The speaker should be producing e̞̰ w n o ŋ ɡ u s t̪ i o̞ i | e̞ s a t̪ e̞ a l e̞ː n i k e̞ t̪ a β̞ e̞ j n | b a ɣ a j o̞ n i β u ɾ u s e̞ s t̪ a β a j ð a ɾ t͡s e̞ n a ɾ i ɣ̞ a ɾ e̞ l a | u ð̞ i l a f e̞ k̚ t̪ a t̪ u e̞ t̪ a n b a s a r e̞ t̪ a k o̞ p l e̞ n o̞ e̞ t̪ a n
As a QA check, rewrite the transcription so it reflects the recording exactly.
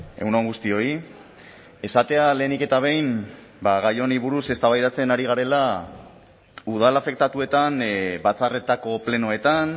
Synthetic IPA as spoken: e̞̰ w n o ŋ ɡ u s t̪ i o̞ i | e̞ s a t̪ e̞ a l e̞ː n i k e̞ t̪ a β̞ e̞ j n | b a ɣ a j o̞ n i β u ɾ u s e̞ s t̪ a β a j ð a t͡s e̞ n a ɾ i ɣ̞ a ɾ e̞ l a | u ð̞ a l a f e̞ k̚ t̪ a t̪ u e̞ t̪ a n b a t͡s a r e̞ t̪ a k o̞ p l e̞ n o̞ e̞ t̪ a n